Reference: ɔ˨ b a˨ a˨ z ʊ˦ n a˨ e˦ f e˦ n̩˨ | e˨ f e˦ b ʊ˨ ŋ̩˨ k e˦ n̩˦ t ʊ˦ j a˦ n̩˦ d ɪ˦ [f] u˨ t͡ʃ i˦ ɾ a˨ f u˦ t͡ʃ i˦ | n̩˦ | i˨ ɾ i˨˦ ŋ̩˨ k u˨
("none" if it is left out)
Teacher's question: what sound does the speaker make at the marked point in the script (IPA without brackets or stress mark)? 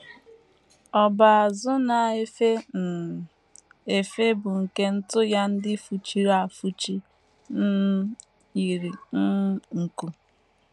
f